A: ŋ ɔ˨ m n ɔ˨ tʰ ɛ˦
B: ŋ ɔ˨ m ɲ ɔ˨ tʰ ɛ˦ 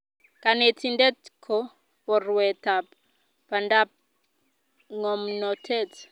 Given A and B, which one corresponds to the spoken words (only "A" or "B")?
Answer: A